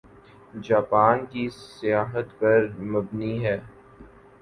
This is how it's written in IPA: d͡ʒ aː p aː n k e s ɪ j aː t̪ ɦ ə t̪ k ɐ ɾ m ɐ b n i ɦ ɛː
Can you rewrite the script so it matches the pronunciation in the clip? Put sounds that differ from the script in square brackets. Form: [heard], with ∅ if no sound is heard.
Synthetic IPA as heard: d͡ʒ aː p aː n k [i] s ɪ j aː [∅] ɦ ə t̪ [p] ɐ ɾ m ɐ b n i ɦ ɛː

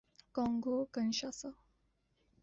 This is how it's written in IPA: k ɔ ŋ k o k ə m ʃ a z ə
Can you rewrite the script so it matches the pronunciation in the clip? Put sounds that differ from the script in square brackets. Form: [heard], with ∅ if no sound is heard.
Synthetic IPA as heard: k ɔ ŋ [ɡ] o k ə [n] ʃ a [s] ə

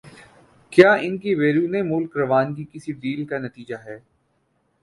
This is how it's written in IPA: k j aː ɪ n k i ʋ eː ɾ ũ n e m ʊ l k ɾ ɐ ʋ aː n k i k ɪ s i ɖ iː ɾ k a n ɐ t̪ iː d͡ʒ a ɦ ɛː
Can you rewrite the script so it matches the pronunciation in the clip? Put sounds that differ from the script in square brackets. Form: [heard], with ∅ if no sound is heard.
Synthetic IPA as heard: k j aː ɪ n k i ʋ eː ɾ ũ n e m ʊ l k ɾ ɐ ʋ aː n k i k ɪ s i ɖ iː [l] k a n ɐ t̪ iː d͡ʒ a ɦ ɛː

